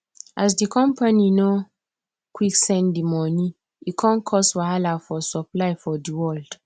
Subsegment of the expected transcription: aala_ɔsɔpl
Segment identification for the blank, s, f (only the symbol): f